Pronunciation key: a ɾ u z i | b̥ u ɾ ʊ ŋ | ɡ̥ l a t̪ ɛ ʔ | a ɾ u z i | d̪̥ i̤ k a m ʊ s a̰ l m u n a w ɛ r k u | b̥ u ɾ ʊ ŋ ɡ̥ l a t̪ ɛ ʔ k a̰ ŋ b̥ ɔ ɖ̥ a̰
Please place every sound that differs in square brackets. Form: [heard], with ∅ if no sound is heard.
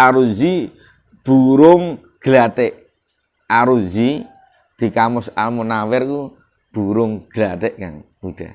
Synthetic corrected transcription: a ɾ u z i | b̥ u ɾ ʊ ŋ | ɡ̥ l a t̪ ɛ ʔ | a ɾ u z i | d̪̥ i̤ k a m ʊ s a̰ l m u n a w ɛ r k u | b̥ u ɾ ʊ ŋ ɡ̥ l a t̪ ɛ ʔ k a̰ ŋ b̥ [u] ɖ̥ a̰